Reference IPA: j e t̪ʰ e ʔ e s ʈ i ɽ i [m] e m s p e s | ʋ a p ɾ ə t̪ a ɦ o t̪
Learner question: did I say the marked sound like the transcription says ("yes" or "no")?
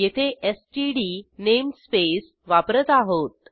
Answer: no